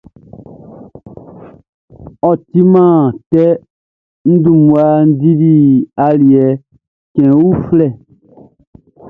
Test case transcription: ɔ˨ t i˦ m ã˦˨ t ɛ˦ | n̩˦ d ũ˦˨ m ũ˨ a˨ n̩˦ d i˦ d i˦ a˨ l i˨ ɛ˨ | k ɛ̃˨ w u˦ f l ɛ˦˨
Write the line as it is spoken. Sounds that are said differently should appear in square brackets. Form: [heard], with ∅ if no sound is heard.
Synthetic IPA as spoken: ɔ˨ t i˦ m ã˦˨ t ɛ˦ | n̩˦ d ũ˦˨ m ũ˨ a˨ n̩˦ d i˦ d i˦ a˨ l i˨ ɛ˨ | k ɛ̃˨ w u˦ f l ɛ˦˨